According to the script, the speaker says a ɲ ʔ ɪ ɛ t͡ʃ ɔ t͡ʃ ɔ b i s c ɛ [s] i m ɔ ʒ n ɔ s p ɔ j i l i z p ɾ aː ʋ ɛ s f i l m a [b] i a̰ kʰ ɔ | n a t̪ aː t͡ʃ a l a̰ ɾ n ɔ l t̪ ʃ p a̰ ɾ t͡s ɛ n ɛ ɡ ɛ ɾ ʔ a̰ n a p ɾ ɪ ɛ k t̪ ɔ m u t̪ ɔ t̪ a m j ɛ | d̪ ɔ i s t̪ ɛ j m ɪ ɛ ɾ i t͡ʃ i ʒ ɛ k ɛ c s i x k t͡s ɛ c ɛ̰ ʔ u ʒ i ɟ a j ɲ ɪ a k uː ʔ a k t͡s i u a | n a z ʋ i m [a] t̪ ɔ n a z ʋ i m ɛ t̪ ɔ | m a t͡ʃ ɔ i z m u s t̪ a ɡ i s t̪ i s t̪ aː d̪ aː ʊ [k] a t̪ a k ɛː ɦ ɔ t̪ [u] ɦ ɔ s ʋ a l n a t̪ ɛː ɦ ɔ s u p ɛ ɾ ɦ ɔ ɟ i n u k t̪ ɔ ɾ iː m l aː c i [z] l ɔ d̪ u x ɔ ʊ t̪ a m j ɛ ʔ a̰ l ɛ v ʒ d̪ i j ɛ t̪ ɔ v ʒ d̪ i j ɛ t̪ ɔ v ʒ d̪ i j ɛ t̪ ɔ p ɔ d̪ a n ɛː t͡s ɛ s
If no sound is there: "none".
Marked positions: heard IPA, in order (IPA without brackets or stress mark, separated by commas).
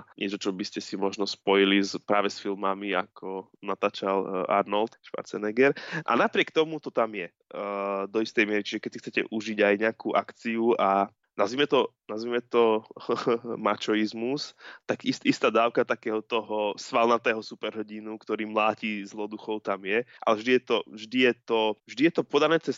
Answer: s, m, ɛ, k, ɔ, z